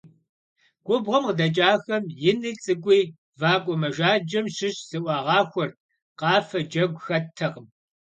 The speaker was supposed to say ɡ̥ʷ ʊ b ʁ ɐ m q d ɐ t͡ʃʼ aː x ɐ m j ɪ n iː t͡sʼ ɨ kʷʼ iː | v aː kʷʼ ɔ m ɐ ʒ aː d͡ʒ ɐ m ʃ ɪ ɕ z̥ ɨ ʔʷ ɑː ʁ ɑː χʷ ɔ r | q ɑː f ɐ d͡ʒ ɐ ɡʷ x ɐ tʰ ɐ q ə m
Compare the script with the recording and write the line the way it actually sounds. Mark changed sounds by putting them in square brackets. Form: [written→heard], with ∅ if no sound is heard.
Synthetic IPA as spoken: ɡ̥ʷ ʊ b ʁ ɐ m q d ɐ t͡ʃʼ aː x ɐ m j ɪ n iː t͡sʼ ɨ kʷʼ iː | v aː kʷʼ ɔ m ɐ ʒ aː d͡ʒ ɐ m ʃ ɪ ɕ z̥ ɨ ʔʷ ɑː ʁ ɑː [χʷ→xʷ] ɔ r | q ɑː f ɐ d͡ʒ ɐ ɡʷ x ɐ tʰ ɐ q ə m

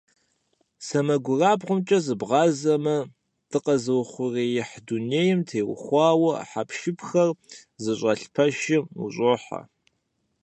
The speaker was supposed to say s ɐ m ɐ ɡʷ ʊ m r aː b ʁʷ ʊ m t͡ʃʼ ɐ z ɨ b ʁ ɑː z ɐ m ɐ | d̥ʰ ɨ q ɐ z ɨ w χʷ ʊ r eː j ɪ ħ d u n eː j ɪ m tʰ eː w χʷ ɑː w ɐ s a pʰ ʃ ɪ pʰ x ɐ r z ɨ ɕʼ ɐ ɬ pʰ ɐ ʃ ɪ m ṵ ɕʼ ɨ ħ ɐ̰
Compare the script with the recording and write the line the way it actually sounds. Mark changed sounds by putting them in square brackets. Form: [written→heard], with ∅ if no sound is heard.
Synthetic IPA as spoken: s ɐ m ɐ ɡʷ ʊ [m→∅] r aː b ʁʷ ʊ m t͡ʃʼ ɐ z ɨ b ʁ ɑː z ɐ m ɐ | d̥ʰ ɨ q ɐ z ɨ w χʷ ʊ r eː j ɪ ħ d u n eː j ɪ m tʰ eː w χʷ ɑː w ɐ [s→ħ] a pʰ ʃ ɪ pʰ x ɐ r z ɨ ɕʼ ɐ ɬ pʰ ɐ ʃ ɪ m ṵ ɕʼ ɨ ħ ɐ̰

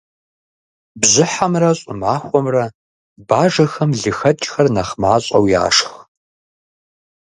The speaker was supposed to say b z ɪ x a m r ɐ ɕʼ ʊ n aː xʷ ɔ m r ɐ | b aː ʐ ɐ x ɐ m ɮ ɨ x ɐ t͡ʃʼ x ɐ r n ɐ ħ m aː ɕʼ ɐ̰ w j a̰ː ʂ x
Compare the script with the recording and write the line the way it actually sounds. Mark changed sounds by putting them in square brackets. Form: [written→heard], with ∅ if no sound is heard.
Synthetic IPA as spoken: b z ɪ [x→ħ] a m r ɐ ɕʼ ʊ [n→m] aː xʷ ɔ m r ɐ | b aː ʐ ɐ x ɐ m ɮ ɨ x ɐ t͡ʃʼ x ɐ r n ɐ [ħ→χ] m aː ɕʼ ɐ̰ w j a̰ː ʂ x

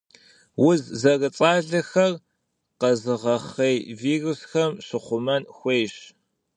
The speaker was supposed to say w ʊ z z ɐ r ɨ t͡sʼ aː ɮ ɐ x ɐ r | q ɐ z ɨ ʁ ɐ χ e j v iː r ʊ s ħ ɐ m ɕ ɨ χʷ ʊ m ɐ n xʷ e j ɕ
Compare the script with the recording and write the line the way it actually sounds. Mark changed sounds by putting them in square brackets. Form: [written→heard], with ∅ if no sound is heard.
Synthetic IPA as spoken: w ʊ z z ɐ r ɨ t͡sʼ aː ɮ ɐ x ɐ r | q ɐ z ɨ ʁ ɐ χ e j v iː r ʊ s [ħ→x] ɐ m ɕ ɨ χʷ ʊ m ɐ n xʷ e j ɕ

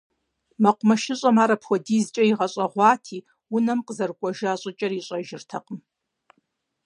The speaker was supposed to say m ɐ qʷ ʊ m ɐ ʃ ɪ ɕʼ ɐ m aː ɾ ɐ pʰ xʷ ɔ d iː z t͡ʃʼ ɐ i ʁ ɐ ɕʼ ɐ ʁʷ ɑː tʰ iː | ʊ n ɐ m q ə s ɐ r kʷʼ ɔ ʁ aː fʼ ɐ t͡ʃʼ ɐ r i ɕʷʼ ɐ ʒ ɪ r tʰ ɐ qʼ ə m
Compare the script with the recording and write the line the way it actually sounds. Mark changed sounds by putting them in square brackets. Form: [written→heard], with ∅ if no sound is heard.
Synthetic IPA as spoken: m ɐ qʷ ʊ m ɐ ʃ ɪ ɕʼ ɐ m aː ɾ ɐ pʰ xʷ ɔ d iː z t͡ʃʼ ɐ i ʁ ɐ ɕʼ ɐ ʁʷ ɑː tʰ iː | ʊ n ɐ m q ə [s→z] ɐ r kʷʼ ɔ [ʁ→ʒ] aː [fʼ→ɕʼ] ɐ t͡ʃʼ ɐ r i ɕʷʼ ɐ ʒ ɪ r tʰ ɐ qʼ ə m

